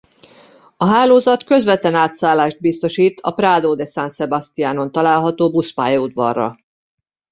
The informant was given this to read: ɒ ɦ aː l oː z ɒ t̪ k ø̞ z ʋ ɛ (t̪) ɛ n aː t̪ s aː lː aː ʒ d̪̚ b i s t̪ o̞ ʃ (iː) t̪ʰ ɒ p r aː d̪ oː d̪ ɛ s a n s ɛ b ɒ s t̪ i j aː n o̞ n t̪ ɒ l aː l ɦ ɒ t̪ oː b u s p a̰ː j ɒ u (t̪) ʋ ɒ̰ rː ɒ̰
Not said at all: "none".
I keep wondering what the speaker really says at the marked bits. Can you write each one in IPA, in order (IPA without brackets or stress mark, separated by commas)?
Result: t̪, iː, d̪